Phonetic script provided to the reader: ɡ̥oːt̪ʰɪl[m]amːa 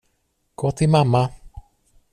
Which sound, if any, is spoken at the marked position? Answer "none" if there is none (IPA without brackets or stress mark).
m